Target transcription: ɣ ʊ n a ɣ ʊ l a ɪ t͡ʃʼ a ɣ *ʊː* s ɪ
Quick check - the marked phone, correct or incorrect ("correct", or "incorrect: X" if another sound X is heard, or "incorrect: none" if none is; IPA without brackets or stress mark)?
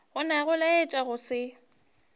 incorrect: ʊ